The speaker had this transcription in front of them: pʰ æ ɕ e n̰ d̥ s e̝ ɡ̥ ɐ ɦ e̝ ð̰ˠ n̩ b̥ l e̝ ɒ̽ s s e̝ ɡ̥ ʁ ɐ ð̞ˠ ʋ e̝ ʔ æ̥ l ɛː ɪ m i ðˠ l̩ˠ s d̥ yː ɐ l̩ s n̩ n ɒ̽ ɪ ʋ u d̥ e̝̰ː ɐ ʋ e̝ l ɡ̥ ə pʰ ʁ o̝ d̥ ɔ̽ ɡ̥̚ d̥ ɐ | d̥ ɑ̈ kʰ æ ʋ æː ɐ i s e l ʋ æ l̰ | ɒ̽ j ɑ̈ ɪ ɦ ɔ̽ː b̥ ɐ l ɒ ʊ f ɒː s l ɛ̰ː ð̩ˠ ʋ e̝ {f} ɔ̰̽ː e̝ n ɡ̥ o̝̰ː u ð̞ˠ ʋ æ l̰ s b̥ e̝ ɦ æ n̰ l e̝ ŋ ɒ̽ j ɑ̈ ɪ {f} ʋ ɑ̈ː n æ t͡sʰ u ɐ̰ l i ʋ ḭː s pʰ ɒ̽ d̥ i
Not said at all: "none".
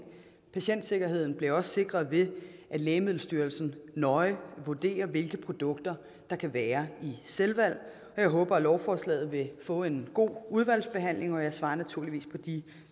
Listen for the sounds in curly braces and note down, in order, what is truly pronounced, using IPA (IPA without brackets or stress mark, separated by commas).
f, s